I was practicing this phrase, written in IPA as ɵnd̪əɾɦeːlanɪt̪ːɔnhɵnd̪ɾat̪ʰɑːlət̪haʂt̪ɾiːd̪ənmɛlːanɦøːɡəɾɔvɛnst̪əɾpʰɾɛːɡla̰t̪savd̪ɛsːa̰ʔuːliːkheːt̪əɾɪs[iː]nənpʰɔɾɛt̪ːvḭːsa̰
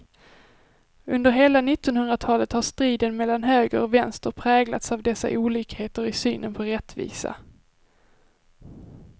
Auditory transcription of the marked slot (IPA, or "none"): yː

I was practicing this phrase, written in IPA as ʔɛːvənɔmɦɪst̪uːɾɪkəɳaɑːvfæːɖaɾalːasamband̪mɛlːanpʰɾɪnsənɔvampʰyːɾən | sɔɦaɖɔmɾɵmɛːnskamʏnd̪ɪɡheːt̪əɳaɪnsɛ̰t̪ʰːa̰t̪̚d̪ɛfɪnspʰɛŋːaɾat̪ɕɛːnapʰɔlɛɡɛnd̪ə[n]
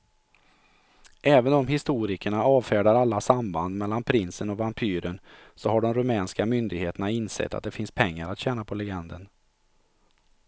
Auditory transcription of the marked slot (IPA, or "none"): n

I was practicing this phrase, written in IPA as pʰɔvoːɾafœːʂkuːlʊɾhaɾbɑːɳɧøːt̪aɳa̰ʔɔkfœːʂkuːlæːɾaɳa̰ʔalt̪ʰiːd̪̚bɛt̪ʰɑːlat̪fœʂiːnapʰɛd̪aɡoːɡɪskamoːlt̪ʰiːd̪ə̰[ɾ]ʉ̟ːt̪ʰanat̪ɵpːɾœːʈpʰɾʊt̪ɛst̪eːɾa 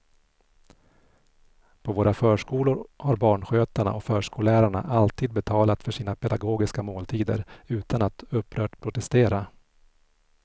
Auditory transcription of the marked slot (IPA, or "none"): ɾ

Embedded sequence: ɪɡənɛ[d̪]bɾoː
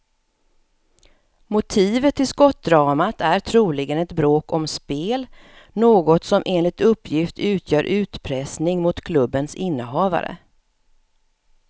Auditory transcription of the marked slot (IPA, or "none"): t̪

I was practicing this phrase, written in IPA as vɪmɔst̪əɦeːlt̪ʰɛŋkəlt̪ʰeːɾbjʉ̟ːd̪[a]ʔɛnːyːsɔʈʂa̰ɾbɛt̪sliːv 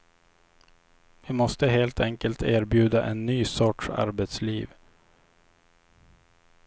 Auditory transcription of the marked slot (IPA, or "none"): a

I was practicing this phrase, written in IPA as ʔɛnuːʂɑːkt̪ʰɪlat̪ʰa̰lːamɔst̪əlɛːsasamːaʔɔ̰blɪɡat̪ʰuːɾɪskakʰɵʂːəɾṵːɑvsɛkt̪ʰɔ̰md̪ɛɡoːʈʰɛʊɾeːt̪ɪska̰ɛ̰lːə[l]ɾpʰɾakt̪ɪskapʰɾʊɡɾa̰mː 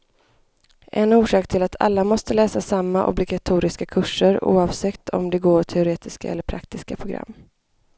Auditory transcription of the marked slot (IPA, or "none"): none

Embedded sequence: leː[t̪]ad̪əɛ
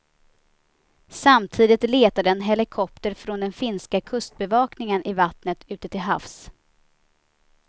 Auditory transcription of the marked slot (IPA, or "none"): t̪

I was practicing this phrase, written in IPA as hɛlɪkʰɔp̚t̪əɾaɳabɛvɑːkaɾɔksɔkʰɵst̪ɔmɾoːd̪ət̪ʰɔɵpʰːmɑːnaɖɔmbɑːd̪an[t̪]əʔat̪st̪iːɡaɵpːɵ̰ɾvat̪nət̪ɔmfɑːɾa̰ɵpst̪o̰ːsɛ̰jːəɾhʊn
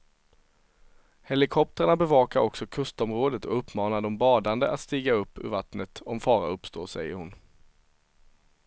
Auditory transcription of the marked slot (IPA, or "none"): d̪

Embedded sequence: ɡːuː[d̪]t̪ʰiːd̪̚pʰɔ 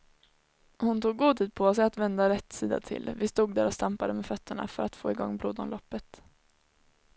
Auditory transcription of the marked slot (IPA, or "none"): d̪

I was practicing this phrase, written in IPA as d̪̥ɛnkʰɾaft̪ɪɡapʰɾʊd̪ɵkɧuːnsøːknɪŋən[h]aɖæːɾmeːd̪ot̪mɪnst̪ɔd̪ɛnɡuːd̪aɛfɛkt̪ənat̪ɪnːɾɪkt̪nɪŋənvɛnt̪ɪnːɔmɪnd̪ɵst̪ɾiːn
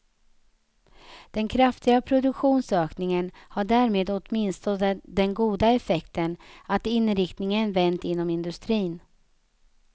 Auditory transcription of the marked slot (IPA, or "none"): h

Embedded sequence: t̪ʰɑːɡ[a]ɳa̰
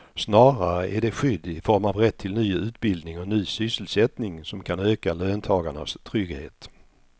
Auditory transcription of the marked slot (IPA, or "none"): a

